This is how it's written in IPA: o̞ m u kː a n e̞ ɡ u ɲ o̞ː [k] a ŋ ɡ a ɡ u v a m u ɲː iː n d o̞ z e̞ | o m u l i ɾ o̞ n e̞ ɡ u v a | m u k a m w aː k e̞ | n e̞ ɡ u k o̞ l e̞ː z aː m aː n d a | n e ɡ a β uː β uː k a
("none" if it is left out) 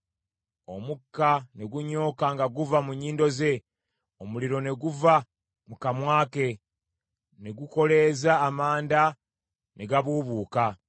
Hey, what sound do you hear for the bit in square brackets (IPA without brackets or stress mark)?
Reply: k